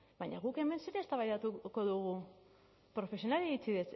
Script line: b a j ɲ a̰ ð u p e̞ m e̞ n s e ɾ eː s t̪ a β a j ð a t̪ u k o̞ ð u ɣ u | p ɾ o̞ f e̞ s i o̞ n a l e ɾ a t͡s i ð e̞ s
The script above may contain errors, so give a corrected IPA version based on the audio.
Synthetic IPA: b a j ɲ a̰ ɣ u k e̞ m e̞ n s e ɾ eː s t̪ a β a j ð a t̪ u k o̞ ð u ɣ u | p ɾ o̞ f e̞ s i o̞ n a l e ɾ i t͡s i ð e̞ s